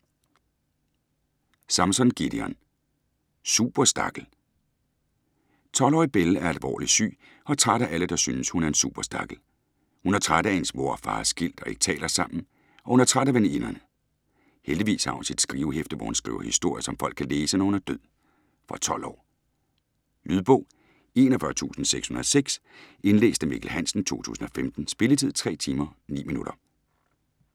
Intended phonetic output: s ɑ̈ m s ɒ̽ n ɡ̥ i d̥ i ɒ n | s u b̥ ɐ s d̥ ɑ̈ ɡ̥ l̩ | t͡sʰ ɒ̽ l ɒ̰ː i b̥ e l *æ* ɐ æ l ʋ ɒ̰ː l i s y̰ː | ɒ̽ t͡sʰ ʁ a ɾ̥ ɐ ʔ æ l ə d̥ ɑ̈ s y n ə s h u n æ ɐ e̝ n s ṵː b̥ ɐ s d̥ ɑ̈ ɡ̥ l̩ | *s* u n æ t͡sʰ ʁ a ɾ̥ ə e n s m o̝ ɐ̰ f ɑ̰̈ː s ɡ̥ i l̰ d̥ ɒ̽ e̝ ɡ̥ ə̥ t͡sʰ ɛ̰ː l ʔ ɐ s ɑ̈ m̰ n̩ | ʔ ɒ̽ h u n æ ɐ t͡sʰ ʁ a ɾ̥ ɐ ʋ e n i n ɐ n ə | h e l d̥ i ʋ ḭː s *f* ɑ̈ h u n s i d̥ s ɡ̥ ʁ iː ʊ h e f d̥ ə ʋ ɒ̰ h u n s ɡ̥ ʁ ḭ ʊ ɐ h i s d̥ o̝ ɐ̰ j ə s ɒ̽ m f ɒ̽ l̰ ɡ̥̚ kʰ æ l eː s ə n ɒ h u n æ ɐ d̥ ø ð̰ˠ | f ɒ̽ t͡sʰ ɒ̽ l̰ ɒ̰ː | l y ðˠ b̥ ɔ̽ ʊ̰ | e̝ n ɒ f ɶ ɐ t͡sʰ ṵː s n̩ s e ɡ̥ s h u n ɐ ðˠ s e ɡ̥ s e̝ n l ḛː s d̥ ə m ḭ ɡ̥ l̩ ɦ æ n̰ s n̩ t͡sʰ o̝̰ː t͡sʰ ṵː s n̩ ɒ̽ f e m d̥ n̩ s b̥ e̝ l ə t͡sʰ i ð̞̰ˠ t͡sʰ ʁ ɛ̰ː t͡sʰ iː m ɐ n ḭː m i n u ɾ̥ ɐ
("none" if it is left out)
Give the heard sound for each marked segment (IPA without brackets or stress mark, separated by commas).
æ, h, h